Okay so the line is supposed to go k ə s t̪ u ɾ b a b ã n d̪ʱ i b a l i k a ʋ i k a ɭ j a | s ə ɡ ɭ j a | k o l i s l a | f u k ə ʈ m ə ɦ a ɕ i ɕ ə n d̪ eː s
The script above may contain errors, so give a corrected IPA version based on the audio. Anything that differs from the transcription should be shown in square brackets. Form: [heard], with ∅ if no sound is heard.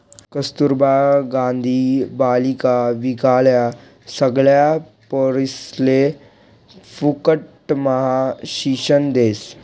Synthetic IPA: k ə s t̪ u ɾ b a [ɡ] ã n d̪ʱ i b a l i k a ʋ i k a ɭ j a | s ə ɡ ɭ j a | [p] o [ɾ] i s l [e] | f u k ə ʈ m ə ɦ a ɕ i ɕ ə n d̪ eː s